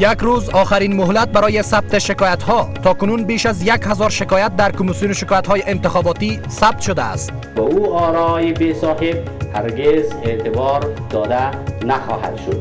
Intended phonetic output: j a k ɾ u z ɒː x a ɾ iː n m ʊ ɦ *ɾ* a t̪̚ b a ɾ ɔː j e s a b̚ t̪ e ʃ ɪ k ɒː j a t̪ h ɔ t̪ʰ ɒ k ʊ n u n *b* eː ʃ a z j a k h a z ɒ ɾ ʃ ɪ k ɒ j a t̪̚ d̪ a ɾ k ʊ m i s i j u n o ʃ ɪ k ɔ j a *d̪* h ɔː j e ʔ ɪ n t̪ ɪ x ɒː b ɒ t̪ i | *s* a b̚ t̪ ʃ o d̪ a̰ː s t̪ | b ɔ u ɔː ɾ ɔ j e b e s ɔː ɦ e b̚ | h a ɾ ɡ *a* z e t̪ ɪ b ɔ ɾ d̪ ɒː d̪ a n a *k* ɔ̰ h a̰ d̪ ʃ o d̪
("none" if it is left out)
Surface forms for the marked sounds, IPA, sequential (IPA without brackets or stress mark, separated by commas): l, b, t̪, s, e, x